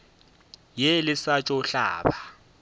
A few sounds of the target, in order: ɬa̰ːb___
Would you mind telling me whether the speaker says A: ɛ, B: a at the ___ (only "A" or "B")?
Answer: B